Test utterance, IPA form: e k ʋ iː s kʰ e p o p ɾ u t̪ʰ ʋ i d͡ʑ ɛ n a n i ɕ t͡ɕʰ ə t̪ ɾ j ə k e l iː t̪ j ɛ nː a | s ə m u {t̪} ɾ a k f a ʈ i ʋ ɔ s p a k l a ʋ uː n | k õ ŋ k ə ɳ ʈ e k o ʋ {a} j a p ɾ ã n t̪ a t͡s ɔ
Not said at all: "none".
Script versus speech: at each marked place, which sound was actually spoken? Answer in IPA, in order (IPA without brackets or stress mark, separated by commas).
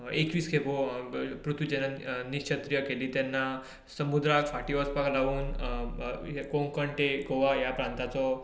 d̪, a